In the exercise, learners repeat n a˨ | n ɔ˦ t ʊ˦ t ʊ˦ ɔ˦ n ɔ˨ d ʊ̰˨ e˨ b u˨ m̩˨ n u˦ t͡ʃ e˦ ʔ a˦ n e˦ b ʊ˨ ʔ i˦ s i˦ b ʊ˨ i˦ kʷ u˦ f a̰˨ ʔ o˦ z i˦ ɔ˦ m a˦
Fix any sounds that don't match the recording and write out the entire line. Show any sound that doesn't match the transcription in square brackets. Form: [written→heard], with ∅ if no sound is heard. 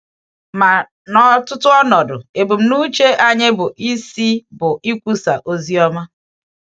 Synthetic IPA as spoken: [n→m] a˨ | n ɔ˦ t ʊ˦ t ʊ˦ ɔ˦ n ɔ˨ d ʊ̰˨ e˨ b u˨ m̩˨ n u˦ t͡ʃ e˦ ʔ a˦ [n→ɲ] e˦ b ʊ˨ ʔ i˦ s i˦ b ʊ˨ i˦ kʷ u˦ [f→s] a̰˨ ʔ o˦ z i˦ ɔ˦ m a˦

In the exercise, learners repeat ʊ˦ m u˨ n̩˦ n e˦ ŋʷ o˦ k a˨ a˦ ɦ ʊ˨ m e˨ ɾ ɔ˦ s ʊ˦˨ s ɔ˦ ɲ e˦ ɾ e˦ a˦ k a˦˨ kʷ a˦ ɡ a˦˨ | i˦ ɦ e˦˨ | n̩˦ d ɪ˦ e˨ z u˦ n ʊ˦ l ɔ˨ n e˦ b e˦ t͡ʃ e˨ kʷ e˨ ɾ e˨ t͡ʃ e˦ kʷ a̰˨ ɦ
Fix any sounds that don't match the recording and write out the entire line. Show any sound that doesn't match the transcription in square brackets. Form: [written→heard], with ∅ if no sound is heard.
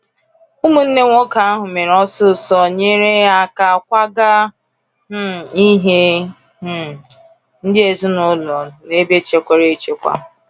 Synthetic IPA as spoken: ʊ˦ m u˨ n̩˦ n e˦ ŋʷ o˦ k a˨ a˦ ɦ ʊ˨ m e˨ ɾ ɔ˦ s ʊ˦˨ s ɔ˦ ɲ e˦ ɾ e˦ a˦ k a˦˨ kʷ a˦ ɡ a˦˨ | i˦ ɦ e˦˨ | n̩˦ d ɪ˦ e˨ z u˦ n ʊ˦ l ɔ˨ n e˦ b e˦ t͡ʃ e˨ kʷ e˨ ɾ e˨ t͡ʃ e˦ kʷ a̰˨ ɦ

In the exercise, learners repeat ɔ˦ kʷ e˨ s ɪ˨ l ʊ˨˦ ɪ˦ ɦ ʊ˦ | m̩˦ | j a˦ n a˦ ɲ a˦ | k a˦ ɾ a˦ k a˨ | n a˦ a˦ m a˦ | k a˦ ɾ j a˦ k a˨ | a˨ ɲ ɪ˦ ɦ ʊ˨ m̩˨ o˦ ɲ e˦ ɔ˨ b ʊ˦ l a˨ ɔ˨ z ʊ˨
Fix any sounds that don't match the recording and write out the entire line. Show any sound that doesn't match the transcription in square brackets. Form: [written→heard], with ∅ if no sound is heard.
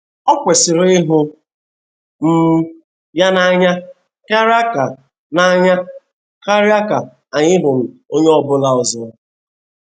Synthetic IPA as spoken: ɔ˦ kʷ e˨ s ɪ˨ [l→ɾ] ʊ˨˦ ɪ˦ ɦ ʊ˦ | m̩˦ | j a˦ n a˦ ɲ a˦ | k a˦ ɾ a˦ k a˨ | n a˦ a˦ [m→ɲ] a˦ | k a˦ ɾ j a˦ k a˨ | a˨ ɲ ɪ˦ ɦ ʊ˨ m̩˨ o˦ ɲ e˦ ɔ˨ b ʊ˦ l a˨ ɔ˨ z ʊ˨

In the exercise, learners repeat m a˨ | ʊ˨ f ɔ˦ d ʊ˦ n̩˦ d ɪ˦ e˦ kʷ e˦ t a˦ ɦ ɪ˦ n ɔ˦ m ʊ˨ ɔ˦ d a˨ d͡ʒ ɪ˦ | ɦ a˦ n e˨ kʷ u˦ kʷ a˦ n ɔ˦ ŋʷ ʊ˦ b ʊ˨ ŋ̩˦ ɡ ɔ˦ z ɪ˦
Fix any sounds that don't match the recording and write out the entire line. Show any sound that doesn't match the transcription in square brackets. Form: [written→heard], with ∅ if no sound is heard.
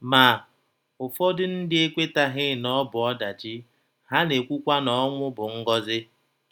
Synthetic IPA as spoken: m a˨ | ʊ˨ f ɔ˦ d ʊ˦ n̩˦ d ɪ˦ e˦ kʷ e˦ t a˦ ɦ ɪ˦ n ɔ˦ [m→b] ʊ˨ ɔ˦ d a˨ d͡ʒ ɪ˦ | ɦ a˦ n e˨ kʷ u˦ kʷ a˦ n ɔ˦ ŋʷ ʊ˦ b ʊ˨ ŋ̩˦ ɡ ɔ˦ z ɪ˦

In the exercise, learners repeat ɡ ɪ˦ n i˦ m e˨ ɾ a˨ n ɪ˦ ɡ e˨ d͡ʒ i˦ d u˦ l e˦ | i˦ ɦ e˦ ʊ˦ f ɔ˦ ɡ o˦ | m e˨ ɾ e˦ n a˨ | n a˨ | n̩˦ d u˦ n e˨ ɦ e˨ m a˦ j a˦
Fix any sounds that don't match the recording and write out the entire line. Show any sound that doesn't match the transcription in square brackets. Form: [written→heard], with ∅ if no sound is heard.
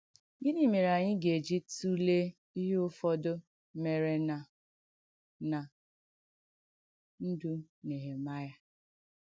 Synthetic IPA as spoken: ɡ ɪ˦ n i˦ m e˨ ɾ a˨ [n→ɲ] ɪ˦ ɡ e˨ d͡ʒ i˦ [d→t] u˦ l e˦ | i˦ ɦ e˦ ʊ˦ f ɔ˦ [ɡ→d] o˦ | m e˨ ɾ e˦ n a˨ | n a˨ | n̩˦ d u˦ n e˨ ɦ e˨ m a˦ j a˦

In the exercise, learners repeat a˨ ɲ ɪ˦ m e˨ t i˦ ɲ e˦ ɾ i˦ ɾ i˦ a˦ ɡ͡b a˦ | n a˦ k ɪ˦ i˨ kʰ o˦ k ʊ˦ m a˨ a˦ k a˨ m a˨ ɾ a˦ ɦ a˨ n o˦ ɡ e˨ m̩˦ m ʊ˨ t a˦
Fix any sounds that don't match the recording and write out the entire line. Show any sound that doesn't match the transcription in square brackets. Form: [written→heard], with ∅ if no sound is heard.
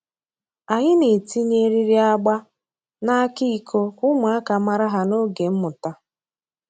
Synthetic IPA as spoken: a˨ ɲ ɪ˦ [m→n] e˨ t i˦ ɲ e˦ ɾ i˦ ɾ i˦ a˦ ɡ͡b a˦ | n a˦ k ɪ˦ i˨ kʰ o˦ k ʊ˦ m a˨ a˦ k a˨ m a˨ ɾ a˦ ɦ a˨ n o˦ ɡ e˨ m̩˦ m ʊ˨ t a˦

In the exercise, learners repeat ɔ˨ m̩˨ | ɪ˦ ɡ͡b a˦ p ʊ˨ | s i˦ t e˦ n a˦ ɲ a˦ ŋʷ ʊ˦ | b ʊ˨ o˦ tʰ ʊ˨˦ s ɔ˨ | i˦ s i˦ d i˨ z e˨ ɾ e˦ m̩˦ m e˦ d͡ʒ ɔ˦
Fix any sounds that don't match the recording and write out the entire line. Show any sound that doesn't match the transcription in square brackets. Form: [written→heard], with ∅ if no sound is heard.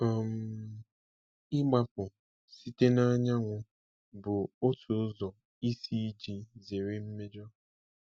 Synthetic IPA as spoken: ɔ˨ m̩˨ | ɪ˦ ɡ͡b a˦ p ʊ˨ | s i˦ t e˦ n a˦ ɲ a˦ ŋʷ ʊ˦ | b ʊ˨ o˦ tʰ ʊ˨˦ [s→z] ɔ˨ | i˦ s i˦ [d→d͡ʒ] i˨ z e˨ ɾ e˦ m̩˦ m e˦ d͡ʒ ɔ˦

